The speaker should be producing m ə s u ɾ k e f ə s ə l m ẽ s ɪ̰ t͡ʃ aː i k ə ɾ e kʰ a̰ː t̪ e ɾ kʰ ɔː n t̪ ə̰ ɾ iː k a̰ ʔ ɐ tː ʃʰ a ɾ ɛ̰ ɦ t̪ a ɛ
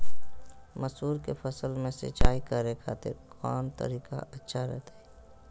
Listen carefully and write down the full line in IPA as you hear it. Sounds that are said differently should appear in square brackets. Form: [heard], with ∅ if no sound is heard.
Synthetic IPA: m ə s [uː] ɾ k e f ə s ə l m ẽ s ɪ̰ t͡ʃ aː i k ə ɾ e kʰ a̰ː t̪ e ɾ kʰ ɔː n t̪ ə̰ ɾ iː k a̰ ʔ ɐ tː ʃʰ a ɾ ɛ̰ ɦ t̪ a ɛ